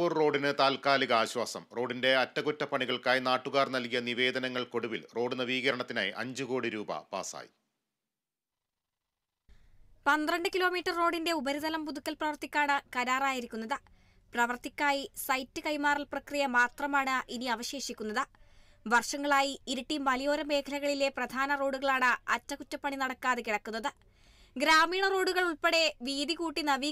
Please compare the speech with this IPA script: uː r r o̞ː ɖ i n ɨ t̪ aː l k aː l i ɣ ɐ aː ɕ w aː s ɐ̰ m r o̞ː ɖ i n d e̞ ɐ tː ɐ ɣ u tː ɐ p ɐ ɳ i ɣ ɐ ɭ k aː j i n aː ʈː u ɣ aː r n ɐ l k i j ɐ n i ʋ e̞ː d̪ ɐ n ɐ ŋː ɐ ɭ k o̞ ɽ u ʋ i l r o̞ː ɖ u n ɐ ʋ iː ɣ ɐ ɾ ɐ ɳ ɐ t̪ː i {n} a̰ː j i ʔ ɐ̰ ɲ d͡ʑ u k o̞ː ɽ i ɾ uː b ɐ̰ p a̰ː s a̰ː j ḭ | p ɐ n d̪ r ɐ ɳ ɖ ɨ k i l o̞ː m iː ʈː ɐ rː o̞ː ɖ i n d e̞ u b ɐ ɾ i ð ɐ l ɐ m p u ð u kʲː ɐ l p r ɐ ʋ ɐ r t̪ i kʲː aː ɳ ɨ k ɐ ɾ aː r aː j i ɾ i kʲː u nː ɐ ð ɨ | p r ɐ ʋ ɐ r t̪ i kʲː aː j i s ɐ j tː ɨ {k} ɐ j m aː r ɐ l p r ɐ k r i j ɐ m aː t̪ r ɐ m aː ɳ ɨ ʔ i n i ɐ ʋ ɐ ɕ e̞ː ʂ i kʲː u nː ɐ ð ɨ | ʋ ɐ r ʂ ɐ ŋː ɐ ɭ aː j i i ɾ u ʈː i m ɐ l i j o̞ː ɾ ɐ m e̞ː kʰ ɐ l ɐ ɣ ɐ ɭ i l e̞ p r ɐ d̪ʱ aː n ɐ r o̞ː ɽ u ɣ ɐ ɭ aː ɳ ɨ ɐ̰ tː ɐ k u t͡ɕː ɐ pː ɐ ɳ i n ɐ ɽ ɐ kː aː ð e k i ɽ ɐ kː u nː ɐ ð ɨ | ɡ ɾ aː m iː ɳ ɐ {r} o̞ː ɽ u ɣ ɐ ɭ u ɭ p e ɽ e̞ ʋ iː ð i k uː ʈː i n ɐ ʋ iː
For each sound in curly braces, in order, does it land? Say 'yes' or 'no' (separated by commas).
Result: yes, yes, yes